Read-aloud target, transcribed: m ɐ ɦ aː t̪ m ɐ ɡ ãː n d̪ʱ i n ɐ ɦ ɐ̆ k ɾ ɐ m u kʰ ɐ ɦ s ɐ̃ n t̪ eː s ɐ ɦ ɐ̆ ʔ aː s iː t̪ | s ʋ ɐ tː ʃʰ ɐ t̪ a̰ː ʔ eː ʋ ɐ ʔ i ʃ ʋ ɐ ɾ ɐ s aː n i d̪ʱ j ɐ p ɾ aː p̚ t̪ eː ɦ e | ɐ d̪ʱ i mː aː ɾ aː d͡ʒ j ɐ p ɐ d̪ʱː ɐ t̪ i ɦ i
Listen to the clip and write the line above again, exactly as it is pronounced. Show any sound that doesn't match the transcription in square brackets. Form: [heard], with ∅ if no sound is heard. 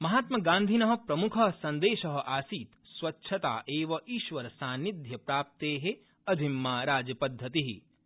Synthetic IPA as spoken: m ɐ ɦ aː t̪ m ɐ ɡ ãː n d̪ʱ i n ɐ ɦ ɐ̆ [p] ɾ ɐ m u kʰ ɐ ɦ s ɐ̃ n [d̪] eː [ʃ] ɐ ɦ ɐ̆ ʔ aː s iː t̪ | s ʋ ɐ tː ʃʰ ɐ t̪ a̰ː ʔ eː ʋ ɐ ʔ [iː] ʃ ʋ ɐ ɾ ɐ s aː n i d̪ʱ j ɐ p ɾ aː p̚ t̪ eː ɦ e | ɐ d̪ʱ i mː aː ɾ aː d͡ʒ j ɐ p ɐ d̪ʱː ɐ t̪ i ɦ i